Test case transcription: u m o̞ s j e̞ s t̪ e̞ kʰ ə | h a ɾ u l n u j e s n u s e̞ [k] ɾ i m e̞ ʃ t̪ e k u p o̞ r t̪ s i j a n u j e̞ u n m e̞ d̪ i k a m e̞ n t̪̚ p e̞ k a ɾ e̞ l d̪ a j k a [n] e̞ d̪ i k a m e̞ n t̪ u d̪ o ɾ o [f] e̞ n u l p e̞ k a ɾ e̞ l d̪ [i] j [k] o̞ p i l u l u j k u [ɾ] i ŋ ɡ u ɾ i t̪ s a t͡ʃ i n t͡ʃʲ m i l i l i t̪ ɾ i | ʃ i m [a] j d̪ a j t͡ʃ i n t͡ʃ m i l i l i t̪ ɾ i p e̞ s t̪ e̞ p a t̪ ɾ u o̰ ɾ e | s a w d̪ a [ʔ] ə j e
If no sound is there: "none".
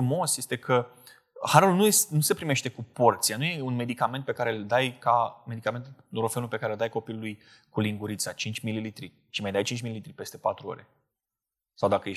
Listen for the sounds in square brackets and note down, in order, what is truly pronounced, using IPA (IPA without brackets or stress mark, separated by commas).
p, m, f, a, k, l, a, k